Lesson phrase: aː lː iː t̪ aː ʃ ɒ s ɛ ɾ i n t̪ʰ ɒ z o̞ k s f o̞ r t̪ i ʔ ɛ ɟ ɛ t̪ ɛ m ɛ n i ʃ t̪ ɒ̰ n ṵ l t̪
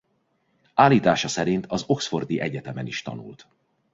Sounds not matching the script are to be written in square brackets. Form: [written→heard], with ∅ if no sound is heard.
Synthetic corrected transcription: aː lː iː t̪ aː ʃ ɒ s ɛ ɾ i n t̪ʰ ɒ z o̞ k s f o̞ r [t̪→d̪] i ʔ ɛ ɟ ɛ t̪ ɛ m ɛ n i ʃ t̪ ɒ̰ n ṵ l t̪